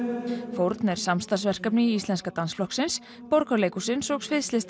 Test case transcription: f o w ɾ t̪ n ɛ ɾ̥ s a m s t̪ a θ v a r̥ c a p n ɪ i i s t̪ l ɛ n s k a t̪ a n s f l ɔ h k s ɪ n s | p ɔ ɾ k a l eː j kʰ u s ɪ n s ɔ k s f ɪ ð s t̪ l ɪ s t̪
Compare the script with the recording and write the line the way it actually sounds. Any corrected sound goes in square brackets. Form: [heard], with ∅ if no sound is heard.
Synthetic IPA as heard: f o w ɾ t̪ n ɛ ɾ̥ s a m s t̪ a [s] v [ɛ] r̥ [k] a p n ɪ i i s t̪ l ɛ n s k a t̪ a n s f l ɔ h k s ɪ n s | p ɔ ɾ k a l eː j [k] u s ɪ n s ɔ k s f ɪ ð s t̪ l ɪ s t̪